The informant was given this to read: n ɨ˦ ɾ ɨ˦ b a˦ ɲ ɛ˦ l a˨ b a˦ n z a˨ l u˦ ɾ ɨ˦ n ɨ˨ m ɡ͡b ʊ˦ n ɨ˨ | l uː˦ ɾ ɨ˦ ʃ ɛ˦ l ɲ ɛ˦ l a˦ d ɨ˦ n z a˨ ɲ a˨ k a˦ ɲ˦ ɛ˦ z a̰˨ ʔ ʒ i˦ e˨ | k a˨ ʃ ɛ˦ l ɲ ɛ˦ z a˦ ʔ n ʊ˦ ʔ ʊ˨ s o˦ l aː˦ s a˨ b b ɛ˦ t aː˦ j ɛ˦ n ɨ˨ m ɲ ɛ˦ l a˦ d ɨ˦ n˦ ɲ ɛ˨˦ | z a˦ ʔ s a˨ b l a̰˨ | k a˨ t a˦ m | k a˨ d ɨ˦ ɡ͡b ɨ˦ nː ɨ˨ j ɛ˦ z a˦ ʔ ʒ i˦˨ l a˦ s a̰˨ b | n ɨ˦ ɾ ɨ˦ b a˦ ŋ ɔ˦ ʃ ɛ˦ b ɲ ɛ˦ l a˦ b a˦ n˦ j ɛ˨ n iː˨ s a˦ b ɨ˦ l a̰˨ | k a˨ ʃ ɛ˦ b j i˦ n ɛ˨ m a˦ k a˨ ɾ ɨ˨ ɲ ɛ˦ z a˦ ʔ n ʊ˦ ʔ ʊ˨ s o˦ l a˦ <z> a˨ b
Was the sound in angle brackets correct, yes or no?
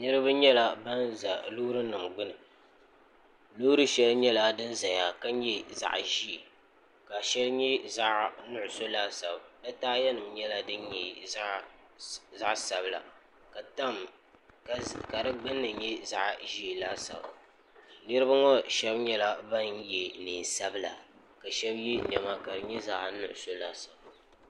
no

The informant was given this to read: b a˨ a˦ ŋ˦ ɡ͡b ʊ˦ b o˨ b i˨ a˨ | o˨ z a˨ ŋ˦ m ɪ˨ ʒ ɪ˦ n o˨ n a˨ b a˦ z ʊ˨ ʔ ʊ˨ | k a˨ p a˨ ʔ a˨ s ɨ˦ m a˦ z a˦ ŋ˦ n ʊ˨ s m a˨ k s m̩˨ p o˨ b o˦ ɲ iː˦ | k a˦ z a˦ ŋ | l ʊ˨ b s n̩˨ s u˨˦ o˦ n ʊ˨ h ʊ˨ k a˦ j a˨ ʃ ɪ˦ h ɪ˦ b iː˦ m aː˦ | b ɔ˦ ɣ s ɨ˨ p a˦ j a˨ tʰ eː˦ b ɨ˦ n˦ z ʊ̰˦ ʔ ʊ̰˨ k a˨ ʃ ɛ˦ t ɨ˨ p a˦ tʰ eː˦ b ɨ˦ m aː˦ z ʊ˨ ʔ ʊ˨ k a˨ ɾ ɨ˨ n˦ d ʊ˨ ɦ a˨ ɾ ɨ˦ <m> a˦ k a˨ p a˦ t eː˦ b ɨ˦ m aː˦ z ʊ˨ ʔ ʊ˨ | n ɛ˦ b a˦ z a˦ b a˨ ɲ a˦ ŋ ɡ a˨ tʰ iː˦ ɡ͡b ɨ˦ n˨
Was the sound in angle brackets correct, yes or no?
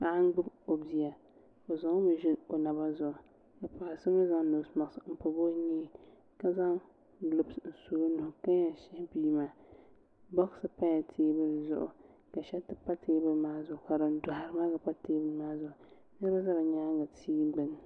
yes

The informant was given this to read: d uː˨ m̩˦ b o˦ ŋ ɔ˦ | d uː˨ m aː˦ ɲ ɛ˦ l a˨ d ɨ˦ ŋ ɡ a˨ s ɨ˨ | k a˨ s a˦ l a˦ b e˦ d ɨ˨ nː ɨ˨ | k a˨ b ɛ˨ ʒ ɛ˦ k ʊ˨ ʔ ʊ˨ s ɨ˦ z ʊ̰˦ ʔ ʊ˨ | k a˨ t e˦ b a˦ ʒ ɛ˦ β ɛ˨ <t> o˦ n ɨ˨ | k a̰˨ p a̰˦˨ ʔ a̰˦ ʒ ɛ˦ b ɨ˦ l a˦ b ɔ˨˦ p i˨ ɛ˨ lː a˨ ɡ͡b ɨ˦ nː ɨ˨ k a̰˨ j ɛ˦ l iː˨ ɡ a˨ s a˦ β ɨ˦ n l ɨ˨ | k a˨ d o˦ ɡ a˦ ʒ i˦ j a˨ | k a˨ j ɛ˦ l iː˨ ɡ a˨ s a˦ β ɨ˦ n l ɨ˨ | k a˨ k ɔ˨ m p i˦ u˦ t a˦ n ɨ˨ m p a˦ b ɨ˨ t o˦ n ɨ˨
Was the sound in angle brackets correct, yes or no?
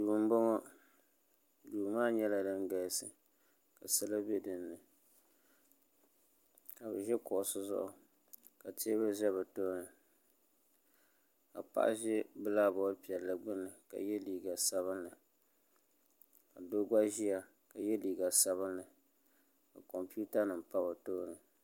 yes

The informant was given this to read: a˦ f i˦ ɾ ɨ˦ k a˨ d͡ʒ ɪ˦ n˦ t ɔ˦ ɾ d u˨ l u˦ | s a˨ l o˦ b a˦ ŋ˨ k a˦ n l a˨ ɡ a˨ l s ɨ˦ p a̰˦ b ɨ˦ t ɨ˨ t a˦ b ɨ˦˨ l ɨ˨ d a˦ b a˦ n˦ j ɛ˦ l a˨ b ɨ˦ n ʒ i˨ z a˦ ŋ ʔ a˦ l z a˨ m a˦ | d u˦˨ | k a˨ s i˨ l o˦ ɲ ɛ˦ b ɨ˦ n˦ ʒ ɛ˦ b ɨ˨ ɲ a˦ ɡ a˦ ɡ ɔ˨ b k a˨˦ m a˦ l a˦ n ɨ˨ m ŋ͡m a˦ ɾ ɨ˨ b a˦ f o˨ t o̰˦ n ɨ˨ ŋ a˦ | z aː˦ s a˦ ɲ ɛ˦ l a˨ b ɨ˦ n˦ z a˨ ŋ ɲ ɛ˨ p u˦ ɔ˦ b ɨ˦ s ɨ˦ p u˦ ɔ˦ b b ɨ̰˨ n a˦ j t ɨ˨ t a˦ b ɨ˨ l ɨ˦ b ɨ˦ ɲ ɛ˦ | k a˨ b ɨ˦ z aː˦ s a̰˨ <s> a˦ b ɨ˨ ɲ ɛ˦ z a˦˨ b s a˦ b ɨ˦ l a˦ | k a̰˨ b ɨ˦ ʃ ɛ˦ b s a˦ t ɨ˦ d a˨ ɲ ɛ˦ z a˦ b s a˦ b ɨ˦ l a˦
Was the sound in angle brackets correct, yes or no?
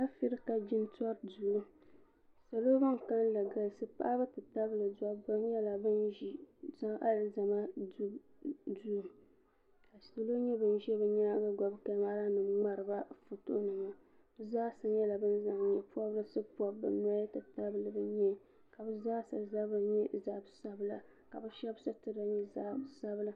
no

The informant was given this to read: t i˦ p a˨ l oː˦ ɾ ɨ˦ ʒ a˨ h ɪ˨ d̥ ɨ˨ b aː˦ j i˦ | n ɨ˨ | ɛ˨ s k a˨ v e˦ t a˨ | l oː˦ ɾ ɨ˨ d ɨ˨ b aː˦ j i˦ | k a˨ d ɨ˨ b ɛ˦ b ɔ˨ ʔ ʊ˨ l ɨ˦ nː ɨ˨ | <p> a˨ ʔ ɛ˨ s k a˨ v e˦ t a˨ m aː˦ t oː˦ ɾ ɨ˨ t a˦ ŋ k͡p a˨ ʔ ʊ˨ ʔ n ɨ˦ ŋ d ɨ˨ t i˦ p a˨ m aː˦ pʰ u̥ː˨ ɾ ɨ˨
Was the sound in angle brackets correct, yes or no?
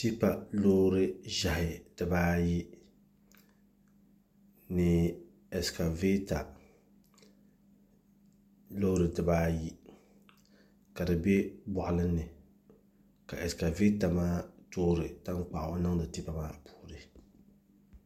no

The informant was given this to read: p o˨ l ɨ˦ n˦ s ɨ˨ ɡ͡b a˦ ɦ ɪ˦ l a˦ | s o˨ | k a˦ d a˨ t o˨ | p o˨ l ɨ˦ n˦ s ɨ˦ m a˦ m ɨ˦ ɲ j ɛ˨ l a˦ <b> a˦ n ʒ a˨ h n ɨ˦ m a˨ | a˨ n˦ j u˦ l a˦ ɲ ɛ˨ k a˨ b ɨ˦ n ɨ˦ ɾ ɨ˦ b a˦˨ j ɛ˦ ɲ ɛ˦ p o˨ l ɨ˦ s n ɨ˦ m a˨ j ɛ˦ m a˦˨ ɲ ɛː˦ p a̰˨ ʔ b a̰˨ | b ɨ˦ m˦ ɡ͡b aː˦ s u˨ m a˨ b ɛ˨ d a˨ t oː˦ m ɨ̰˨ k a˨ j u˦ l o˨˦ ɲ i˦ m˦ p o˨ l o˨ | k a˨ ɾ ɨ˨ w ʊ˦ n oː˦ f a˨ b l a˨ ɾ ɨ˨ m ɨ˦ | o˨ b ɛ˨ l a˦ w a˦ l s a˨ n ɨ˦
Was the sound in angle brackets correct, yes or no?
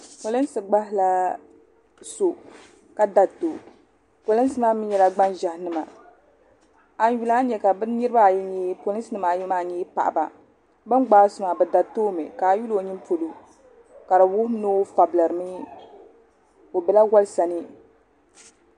no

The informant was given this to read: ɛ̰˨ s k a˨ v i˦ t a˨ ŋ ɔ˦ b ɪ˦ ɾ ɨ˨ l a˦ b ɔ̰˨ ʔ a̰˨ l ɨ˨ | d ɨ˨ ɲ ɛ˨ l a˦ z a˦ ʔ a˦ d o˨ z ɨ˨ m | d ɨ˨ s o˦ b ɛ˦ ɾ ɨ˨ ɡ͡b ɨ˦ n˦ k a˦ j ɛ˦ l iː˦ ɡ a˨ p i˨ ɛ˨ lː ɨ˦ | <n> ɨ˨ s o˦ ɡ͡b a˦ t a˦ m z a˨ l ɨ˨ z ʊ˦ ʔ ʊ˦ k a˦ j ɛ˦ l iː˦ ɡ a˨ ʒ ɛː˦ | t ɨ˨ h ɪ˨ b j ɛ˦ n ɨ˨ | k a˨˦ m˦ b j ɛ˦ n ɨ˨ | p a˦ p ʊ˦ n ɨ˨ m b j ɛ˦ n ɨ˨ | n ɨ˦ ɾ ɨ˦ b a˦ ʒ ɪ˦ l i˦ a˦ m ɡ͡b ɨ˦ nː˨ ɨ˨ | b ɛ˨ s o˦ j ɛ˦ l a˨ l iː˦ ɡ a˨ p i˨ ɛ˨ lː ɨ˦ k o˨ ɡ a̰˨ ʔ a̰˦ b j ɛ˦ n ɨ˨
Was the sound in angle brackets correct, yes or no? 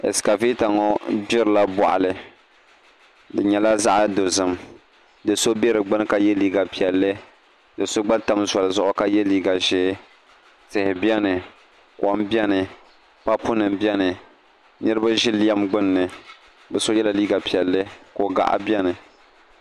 no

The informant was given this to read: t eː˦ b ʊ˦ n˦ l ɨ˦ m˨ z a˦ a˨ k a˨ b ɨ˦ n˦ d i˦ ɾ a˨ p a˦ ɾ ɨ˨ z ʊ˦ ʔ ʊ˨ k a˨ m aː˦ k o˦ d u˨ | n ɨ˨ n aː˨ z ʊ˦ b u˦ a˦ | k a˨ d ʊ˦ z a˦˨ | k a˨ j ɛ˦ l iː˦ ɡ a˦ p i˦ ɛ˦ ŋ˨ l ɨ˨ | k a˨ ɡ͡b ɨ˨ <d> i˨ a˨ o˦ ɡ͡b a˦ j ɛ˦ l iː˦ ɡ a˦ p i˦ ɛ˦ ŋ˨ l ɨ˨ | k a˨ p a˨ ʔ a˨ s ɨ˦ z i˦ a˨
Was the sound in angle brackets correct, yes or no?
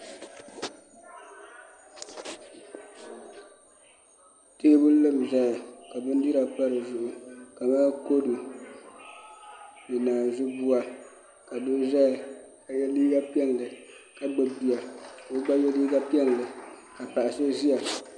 no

